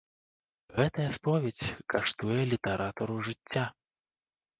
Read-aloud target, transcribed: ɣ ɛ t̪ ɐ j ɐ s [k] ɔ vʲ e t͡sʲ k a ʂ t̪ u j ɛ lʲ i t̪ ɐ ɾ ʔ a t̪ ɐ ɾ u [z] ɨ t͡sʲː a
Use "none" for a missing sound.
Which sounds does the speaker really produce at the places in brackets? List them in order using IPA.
p, ʐ

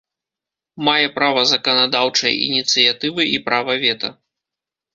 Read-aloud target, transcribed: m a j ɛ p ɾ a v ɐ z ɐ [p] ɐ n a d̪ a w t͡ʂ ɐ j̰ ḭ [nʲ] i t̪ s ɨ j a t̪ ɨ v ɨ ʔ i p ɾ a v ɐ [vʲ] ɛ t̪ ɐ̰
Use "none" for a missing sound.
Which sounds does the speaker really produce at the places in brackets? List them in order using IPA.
k, nʲ, vʲ

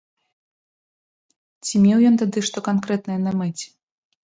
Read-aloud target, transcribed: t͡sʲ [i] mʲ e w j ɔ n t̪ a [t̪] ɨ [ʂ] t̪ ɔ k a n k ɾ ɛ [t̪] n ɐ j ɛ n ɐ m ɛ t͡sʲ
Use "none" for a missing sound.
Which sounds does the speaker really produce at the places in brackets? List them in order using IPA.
i, d̪, ʂ, t̪

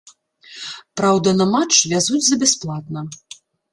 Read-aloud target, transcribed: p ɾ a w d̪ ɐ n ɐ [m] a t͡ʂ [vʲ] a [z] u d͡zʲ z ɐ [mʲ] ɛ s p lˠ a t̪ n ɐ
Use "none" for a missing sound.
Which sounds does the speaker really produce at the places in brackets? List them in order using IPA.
m, vʲ, z, bʲ

